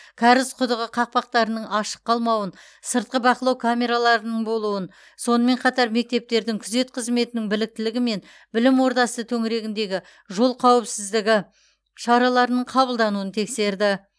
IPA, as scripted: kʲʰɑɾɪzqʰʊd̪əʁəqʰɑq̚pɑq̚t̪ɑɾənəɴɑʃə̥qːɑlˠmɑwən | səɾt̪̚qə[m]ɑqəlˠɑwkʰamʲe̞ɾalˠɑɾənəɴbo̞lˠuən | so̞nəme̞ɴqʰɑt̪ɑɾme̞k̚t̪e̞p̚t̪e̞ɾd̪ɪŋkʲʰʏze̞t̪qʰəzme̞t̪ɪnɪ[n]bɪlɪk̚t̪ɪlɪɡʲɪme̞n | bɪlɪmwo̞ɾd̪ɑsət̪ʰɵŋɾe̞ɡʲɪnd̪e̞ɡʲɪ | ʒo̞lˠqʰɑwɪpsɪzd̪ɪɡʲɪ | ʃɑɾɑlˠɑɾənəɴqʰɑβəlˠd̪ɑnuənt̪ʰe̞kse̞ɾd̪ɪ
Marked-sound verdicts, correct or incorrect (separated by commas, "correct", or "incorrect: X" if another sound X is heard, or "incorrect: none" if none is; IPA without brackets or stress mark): incorrect: b, incorrect: ŋ